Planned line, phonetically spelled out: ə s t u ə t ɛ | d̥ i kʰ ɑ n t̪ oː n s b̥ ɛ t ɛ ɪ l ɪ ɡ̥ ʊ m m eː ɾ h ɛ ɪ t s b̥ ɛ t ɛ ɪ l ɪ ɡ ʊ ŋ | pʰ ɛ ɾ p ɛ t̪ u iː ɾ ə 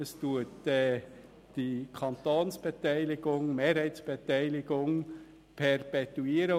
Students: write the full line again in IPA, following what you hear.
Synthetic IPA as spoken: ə s t u ə t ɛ | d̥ i kʰ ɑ n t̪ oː n s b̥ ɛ t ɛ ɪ l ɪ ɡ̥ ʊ ŋ m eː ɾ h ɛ ɪ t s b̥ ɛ t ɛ ɪ l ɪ ɡ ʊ ŋ | pʰ ɛ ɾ p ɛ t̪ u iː ɾ ə